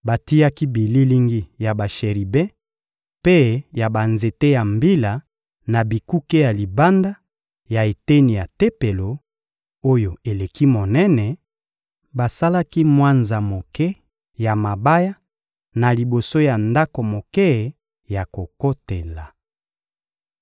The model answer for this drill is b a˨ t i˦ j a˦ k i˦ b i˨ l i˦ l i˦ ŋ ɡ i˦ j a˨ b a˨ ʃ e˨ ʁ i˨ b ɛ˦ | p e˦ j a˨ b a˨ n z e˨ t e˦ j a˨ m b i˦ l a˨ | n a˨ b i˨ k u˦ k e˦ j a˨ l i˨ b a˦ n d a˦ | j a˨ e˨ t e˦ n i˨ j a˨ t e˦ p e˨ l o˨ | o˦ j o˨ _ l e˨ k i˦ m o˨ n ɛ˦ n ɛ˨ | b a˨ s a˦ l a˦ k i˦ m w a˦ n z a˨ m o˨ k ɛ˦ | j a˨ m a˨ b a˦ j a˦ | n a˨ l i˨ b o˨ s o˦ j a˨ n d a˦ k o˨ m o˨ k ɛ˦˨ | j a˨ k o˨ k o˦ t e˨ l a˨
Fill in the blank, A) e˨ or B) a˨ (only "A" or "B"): A